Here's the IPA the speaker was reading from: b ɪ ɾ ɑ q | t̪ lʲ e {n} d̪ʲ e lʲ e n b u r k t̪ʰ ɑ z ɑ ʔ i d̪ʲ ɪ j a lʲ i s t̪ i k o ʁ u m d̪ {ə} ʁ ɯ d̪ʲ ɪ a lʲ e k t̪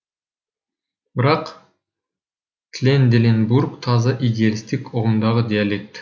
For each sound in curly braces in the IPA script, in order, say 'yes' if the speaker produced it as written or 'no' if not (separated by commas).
yes, no